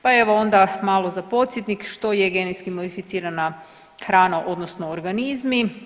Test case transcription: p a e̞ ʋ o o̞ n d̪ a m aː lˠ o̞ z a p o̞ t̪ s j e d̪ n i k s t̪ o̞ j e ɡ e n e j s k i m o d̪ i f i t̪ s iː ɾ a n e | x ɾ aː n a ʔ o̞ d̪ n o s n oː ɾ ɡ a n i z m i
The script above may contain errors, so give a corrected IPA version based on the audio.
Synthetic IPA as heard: p a e̞ ʋ o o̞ n d̪ a m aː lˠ o̞ z a p o̞ t̪ s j e t̪ n i k ʃ t̪ o̞ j e ɡ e n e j s k i m o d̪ i f i t̪ s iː ɾ a n a | x ɾ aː n a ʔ o̞ d̪ n o s n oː ɾ ɡ a n i z m i